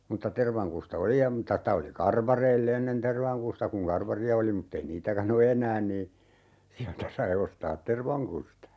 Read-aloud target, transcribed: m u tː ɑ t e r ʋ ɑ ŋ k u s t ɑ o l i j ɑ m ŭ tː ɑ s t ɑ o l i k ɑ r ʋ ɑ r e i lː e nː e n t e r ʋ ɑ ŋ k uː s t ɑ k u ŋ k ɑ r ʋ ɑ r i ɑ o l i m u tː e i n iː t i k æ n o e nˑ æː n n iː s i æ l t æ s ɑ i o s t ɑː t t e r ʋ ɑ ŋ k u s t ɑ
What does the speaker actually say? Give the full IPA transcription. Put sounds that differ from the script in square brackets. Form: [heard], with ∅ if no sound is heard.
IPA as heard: m u tː ɑ t e r ʋ ɑ ŋ k u s t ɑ o l i j ɑ m ŭ tː ɑ s t ɑ o l i k ɑ r ʋ ɑ r e i lː e nː e n t e r ʋ ɑ ŋ k [u] s t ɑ k u ŋ k ɑ r ʋ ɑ r i ɑ o l i m u tː e i n iː t [æ] k æ n o e nˑ æː n n iː s i æ l t æ s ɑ i o s t ɑː t t e r ʋ ɑ ŋ k u s t ɑ